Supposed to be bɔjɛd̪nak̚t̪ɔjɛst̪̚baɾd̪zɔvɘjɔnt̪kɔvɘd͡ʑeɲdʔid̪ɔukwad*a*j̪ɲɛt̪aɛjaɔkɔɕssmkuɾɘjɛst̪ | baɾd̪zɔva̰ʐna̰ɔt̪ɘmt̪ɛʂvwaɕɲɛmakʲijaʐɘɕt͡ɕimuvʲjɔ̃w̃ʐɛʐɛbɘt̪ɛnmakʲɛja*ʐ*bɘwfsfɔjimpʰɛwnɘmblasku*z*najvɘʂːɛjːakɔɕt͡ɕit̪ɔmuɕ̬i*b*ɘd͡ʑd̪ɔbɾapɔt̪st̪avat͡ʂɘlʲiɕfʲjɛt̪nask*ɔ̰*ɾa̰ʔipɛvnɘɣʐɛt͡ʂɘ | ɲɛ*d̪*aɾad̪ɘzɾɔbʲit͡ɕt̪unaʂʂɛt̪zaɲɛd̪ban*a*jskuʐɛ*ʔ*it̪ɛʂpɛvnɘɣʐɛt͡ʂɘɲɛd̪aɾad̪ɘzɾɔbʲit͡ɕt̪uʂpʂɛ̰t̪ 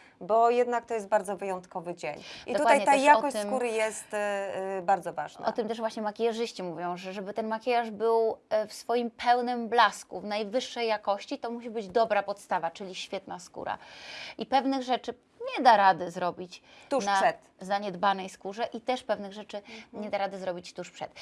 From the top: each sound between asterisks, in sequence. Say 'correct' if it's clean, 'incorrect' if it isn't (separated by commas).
correct, correct, incorrect, correct, incorrect, correct, incorrect, correct